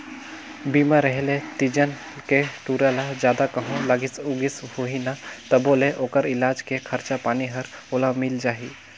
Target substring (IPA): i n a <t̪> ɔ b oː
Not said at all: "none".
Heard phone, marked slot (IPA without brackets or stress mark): t̪